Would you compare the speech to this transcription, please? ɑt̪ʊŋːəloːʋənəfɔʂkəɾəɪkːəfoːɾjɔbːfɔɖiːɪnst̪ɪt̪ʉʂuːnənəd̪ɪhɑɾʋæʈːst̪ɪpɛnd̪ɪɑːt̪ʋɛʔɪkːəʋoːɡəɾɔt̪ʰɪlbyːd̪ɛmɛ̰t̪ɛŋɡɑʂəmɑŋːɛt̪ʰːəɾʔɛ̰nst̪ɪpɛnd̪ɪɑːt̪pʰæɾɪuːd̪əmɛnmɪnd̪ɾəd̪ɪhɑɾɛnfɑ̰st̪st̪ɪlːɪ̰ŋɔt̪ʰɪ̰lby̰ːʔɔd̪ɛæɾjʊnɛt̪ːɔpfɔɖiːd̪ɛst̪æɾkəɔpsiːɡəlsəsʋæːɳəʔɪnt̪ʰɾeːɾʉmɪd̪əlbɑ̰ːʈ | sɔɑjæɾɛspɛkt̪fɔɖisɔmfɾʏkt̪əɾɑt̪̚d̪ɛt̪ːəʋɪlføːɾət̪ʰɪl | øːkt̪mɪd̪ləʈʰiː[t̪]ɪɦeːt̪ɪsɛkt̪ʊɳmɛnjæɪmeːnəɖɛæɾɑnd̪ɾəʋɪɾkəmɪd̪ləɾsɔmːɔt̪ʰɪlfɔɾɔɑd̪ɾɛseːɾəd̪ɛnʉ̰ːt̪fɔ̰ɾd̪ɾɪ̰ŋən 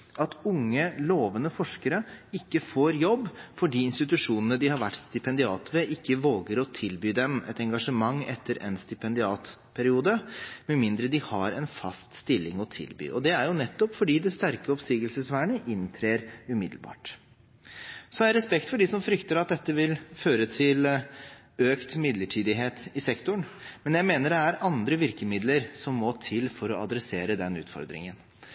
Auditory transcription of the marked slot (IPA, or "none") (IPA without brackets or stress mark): d̪